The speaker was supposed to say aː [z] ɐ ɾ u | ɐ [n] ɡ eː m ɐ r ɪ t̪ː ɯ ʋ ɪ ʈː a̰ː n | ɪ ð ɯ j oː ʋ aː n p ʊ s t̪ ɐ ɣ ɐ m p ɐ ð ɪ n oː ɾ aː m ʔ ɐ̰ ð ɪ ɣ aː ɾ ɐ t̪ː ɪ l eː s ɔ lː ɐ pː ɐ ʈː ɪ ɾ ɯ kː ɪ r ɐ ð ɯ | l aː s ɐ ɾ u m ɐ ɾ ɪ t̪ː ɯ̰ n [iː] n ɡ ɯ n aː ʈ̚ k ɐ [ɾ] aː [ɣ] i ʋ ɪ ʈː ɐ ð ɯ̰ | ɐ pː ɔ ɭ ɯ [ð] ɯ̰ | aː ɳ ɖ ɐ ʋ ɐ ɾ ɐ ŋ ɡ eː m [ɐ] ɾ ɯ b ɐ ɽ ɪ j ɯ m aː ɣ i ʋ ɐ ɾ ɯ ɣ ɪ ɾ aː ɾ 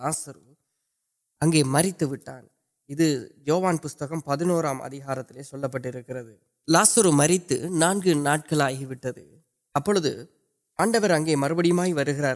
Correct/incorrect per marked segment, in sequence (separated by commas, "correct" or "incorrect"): incorrect, incorrect, incorrect, incorrect, correct, correct, correct